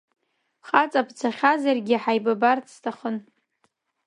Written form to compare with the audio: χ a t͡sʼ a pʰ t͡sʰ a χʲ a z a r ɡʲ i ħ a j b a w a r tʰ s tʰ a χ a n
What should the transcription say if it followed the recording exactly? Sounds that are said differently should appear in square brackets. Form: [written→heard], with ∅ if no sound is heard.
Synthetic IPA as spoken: χ a t͡sʼ a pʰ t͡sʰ a χʲ a z a r ɡʲ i ħ a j b a [w→b] a r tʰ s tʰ a χ [a→ə] n